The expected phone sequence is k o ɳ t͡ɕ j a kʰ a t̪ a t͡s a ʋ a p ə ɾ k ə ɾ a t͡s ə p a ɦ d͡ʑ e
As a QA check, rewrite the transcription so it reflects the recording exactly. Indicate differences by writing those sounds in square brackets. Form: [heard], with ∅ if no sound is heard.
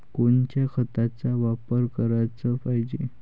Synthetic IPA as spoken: k o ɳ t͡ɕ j a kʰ [ə] t̪ a t͡s a ʋ a p ə ɾ k ə ɾ a t͡s ə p a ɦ d͡ʑ e